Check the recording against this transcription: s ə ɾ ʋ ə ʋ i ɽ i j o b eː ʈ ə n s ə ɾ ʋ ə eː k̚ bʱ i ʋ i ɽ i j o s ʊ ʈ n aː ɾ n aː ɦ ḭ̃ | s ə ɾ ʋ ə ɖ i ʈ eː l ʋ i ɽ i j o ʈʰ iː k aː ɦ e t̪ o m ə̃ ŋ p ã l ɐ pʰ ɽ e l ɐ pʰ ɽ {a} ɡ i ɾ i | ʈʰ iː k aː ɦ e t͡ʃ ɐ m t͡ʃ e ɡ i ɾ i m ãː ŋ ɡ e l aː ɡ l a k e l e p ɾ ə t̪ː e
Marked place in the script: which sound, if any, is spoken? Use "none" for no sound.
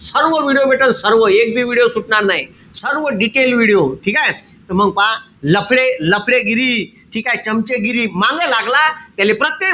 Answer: e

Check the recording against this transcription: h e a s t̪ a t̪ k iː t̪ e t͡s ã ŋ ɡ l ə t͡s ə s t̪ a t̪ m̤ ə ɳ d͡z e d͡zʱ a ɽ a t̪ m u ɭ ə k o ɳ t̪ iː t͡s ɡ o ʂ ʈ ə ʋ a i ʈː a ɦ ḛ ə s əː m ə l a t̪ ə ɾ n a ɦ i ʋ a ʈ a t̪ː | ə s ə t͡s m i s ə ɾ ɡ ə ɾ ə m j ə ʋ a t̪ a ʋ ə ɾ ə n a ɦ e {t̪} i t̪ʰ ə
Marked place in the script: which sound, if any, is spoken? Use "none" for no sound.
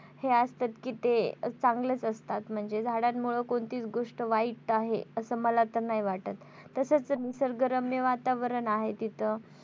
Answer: t̪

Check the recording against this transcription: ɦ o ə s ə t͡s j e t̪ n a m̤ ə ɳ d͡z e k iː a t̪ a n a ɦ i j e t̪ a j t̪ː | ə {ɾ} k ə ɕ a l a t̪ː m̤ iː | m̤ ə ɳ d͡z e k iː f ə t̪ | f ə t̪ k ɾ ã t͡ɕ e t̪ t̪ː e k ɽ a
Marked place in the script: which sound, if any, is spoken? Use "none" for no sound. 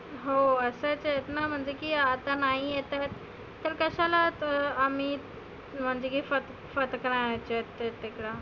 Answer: ɾ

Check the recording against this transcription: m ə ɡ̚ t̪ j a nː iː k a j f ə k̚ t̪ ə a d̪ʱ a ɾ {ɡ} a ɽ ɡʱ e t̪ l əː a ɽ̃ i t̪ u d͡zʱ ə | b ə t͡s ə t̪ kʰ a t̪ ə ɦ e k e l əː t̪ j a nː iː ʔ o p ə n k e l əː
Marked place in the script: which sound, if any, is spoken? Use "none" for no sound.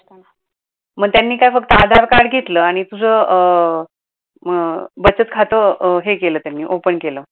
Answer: k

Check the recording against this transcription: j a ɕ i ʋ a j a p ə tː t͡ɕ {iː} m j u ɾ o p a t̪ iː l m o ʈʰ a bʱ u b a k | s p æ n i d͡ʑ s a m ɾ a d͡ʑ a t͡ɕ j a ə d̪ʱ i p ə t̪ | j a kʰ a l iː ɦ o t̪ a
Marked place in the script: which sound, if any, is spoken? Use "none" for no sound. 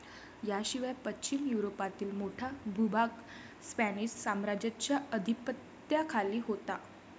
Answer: i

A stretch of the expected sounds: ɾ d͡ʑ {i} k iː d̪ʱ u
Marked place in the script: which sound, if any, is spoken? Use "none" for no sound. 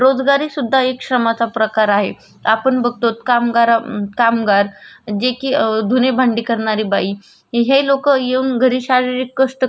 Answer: e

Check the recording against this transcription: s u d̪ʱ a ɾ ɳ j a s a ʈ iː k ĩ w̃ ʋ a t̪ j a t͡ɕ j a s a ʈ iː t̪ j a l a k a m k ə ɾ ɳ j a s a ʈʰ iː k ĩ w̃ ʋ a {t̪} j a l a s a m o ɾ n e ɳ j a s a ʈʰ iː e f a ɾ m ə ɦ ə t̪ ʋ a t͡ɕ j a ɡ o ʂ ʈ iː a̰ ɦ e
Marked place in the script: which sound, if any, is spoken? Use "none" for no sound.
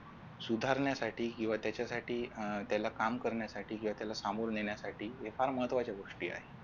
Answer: t̪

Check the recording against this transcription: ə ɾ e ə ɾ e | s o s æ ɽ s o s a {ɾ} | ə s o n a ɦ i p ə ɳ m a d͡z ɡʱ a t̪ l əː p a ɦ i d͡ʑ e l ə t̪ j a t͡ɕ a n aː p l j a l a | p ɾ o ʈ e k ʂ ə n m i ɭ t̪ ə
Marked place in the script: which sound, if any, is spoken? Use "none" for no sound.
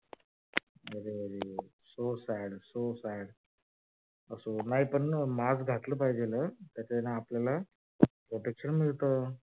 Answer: ɽ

